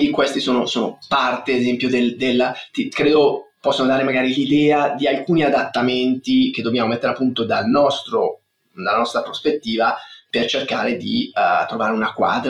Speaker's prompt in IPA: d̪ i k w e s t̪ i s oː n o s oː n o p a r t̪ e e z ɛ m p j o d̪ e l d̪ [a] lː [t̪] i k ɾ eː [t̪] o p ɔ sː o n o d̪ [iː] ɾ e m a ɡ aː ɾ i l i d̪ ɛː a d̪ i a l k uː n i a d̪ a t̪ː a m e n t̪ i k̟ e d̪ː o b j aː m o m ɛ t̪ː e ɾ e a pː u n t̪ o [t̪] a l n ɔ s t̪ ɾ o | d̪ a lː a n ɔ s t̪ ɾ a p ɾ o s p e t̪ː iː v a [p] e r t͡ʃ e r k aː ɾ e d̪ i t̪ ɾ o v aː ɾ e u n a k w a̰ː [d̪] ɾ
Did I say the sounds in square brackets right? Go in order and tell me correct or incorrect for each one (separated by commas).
incorrect, correct, incorrect, incorrect, incorrect, correct, correct